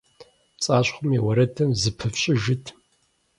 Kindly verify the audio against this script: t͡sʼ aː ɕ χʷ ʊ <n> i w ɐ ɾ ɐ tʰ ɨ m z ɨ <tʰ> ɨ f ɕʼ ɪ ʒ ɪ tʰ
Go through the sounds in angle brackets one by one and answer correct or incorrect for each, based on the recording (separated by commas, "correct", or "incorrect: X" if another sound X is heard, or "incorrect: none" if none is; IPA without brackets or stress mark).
incorrect: m, incorrect: pʰ